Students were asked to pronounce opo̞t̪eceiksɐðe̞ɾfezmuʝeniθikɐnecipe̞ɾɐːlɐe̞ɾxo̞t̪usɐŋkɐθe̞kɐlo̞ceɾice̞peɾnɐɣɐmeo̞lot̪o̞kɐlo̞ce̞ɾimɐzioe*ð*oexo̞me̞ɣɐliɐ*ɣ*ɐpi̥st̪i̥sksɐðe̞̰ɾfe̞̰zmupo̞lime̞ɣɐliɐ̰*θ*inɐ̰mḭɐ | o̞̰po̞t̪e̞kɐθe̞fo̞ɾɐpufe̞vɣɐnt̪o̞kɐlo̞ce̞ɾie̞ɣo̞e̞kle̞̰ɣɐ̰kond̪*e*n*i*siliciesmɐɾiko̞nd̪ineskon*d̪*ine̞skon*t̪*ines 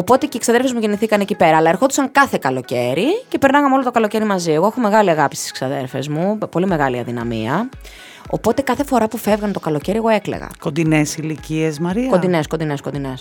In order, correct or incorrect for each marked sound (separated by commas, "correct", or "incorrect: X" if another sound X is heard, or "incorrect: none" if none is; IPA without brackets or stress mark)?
incorrect: ɣ, correct, incorrect: ð, incorrect: i, incorrect: e, correct, incorrect: d̪